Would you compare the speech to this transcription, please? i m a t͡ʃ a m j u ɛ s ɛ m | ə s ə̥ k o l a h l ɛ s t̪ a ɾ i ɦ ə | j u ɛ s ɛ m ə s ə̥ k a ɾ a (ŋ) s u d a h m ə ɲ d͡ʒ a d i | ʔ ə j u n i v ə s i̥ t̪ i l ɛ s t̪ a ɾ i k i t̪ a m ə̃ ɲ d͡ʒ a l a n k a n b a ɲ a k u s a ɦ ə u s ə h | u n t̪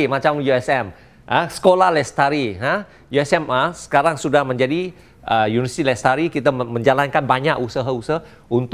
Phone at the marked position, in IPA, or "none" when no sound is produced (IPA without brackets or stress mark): ŋ